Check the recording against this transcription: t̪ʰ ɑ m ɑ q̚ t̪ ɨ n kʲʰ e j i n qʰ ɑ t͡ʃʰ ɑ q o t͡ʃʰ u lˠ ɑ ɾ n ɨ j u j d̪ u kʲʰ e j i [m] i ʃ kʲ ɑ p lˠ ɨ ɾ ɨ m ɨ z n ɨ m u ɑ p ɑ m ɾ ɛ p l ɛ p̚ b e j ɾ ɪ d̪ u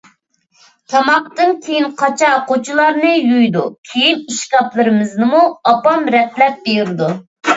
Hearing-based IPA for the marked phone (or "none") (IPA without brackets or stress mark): n